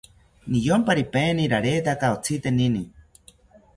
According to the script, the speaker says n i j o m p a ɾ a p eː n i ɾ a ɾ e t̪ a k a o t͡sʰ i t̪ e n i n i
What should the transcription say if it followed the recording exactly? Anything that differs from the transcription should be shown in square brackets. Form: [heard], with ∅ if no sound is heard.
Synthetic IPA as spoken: n i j o m p a ɾ [i] p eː n i ɾ a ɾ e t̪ a k a o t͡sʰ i t̪ e n i n i